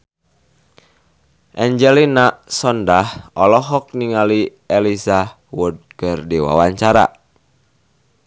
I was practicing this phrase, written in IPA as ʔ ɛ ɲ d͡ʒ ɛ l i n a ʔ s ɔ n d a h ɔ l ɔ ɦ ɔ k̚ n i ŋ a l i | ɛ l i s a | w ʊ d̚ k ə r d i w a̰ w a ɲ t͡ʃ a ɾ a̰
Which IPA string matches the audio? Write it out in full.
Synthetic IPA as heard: ʔ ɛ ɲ d͡ʒ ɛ l i n a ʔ s ɔ n d a h ɔ l ɔ ɦ ɔ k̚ n i ŋ a l i | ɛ l i s a | w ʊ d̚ k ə r d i w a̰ w a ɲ t͡ʃ a ɾ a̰